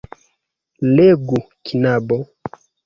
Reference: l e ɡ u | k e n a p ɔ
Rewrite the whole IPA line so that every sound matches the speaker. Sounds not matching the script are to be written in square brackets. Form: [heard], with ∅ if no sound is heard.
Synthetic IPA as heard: l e ɡ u | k [i] n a [b] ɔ